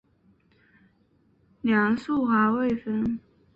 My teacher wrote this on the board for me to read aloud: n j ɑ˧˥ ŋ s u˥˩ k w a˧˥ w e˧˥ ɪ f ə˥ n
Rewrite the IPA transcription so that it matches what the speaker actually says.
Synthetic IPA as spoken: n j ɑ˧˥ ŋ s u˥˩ x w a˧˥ w e˥˩ ɪ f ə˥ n

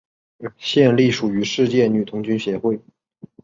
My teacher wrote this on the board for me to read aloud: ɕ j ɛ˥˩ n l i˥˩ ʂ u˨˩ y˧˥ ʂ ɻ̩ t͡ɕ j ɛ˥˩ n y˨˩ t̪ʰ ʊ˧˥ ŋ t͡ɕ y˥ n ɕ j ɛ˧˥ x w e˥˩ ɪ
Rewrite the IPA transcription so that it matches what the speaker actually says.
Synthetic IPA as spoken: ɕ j ɛ˥˧ n l i˥˩ ʂ u˨˩ y˧˥ ʂ ɻ̩ t͡ɕ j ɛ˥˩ n y˨˩ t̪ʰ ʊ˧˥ ŋ t͡ɕ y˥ n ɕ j ɛ˧˥ x w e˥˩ ɪ

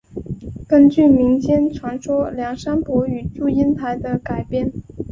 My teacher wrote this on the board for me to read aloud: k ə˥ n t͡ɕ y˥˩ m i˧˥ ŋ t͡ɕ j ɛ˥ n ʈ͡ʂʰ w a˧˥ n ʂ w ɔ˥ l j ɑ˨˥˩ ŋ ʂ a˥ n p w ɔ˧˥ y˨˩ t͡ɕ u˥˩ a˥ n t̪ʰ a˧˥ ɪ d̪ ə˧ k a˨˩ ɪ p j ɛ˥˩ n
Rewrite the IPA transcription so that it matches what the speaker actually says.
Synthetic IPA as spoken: k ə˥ n t͡ɕ y˥˩ m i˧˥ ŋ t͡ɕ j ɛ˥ n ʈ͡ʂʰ w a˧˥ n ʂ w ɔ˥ l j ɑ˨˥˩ ŋ ʂ a˥ n p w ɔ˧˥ y˨˩ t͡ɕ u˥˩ i˥ n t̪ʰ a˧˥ ɪ d̪ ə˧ k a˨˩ ɪ p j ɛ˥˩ n

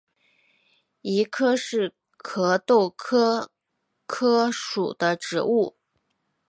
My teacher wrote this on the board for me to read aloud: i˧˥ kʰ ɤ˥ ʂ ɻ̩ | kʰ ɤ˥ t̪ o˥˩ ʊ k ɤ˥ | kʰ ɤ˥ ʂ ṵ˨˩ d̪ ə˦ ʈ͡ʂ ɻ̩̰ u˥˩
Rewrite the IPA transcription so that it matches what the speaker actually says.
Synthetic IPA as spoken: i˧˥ kʰ ɤ˥ ʂ ɻ̩ | kʰ ɤ˧˥ t̪ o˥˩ ʊ kʰ ɤ˥ | kʰ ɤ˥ ʂ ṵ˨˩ d̪ ə˦ ʈ͡ʂ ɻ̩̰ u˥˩

